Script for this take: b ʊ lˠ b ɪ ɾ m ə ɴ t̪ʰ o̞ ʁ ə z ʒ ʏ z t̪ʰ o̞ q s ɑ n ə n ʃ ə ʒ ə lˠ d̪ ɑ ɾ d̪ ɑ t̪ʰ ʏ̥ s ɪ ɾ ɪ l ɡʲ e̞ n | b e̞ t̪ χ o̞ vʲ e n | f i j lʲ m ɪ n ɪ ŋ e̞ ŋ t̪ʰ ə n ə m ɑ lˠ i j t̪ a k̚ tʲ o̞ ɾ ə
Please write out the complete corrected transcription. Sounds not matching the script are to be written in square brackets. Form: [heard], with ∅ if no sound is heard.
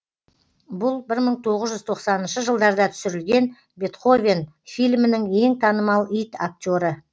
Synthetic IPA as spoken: b ʊ lˠ b ɪ ɾ m ə ɴ t̪ʰ o̞ ʁ ə z ʒ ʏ z t̪ʰ o̞ q s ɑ n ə n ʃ ə ʒ ə lˠ d̪ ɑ ɾ d̪ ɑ t̪ʰ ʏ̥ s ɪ ɾ ɪ l ɡʲ e̞ n | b e̞ t̪ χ o̞ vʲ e n | f i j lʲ m ɪ n ɪ ŋ e̞ ŋ t̪ʰ [ɑ] n ə m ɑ lˠ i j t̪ a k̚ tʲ o̞ ɾ ə

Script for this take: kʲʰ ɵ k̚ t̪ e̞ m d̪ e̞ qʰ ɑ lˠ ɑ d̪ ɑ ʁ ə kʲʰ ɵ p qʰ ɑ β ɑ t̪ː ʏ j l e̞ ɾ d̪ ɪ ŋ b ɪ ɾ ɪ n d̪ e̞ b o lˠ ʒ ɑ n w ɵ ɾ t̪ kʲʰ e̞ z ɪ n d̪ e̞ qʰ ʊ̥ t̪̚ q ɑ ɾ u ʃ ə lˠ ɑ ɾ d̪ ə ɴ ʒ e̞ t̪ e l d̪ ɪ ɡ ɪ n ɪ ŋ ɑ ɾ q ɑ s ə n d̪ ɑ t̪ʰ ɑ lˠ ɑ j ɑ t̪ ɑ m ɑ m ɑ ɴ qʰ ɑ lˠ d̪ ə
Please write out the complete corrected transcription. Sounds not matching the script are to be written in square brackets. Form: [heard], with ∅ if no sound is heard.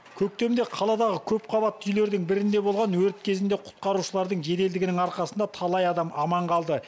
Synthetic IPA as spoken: kʲʰ ɵ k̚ t̪ e̞ m d̪ e̞ qʰ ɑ lˠ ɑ d̪ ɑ ʁ ə kʲʰ ɵ p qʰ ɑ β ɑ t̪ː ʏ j l e̞ ɾ d̪ ɪ ŋ b ɪ ɾ ɪ n d̪ e̞ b o lˠ [ʁ] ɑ n w ɵ ɾ t̪ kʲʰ e̞ z ɪ n d̪ e̞ qʰ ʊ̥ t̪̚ q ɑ ɾ u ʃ ə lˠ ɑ ɾ d̪ ə ɴ ʒ e̞ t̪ e l d̪ ɪ ɡ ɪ n ɪ ŋ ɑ ɾ q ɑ s ə n d̪ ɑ t̪ʰ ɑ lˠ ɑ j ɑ [d̪] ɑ m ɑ m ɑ ɴ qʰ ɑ lˠ d̪ ə

